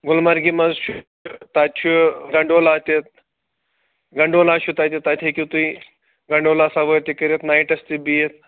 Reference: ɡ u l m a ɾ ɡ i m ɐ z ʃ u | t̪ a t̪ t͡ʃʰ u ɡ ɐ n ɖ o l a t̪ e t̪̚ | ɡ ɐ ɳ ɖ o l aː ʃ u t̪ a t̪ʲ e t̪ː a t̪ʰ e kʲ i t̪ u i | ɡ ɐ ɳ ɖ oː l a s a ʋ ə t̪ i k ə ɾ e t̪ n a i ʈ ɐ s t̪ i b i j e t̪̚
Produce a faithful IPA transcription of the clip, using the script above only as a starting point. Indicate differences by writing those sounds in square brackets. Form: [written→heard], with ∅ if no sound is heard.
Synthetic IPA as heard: ɡ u l m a ɾ ɡ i m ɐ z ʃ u | t̪ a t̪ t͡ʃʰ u ɡ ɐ [n→ɳ] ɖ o l a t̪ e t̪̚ | ɡ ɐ ɳ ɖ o l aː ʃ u t̪ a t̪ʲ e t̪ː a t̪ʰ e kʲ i t̪ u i | ɡ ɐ ɳ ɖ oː l a s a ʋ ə t̪ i k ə ɾ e t̪ n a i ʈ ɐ s t̪ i b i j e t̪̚